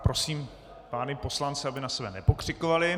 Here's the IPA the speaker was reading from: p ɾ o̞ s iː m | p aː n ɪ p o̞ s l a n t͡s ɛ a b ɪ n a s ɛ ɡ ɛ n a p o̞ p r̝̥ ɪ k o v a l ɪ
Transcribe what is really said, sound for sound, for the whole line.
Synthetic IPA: p ɾ o̞ s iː m | p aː n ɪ p o̞ s l a n t͡s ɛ a b ɪ n a s ɛ b ɛ n ɛ p o̞ k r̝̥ ɪ k o v a l ɪ